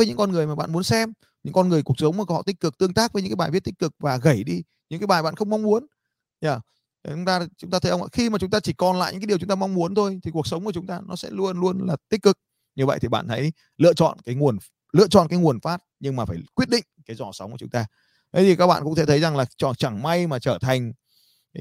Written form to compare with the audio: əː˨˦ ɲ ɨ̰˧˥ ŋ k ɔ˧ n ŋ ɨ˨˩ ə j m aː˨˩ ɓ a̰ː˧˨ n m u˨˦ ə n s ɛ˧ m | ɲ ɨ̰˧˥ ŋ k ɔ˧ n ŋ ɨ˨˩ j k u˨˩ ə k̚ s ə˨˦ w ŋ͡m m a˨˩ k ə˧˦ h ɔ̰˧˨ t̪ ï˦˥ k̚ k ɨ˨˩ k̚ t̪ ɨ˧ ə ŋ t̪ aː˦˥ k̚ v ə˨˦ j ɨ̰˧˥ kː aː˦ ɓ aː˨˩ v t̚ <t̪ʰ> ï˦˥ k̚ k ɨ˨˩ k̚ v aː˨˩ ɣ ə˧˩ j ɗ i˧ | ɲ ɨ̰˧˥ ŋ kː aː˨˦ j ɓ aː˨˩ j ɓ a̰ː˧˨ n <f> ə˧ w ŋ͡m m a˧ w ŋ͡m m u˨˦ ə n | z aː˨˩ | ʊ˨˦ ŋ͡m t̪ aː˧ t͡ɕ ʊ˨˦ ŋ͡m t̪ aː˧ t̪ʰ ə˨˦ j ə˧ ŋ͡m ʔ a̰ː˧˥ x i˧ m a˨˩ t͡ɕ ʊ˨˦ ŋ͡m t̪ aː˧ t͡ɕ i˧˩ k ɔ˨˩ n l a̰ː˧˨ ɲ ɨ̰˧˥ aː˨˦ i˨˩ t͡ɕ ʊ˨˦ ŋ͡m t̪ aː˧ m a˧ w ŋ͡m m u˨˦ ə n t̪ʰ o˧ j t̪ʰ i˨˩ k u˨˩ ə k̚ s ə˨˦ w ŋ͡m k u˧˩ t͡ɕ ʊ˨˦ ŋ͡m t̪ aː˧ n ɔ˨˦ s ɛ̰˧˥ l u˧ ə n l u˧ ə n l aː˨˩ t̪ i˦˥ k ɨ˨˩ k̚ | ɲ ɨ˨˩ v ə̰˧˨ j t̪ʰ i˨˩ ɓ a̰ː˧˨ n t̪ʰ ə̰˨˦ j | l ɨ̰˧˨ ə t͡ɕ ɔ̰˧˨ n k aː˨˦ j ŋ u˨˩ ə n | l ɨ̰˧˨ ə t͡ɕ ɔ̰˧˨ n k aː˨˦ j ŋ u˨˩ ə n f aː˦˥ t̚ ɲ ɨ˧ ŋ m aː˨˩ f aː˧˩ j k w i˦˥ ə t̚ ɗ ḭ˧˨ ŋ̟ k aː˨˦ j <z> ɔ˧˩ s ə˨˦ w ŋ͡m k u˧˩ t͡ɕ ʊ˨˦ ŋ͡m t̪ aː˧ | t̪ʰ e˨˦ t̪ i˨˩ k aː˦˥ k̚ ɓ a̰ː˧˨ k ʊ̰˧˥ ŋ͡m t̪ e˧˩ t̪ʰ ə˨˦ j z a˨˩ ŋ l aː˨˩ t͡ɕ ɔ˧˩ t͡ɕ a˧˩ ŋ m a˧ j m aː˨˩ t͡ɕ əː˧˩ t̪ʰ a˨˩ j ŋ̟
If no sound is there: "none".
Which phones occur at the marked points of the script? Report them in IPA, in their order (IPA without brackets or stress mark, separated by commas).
t̪, x, z